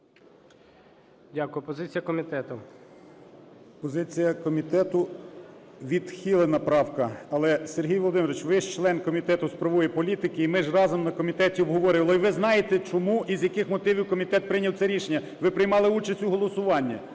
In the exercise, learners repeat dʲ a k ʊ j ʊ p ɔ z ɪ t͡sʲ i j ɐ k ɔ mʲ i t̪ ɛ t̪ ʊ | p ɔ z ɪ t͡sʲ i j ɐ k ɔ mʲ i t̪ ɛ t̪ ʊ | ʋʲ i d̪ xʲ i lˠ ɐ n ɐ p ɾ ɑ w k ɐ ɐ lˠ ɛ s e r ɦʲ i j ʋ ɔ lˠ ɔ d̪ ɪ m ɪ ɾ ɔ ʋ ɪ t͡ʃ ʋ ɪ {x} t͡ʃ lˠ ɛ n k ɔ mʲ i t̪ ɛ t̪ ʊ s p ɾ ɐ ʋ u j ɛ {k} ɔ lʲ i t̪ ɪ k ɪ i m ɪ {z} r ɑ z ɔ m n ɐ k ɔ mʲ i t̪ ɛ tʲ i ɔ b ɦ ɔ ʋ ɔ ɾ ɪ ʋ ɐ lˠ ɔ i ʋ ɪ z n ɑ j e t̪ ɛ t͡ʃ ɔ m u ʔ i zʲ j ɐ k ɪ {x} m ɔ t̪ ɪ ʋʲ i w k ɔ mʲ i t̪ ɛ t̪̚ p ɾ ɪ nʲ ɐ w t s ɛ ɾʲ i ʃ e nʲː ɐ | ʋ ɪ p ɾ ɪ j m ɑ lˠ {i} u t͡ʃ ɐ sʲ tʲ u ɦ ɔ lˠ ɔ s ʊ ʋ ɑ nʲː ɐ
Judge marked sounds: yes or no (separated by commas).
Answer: no, no, no, yes, no